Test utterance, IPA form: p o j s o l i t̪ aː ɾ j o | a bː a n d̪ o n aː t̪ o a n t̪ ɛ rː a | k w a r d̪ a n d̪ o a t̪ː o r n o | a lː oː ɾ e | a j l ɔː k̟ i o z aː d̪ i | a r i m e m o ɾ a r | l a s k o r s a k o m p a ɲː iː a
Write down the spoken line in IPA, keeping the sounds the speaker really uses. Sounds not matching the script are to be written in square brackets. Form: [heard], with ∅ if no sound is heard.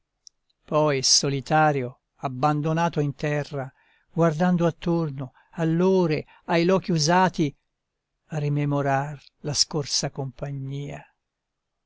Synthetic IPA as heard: p [ɔ] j s o l i t̪ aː ɾ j o | a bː a n d̪ o n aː t̪ o [i] n t̪ ɛ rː a | [ɡ] w a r d̪ a n d̪ o a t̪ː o r n o | a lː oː ɾ e | a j l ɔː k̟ i [u] z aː [t̪] i | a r i m e m o ɾ a r | l a s k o r s a k o m p a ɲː iː a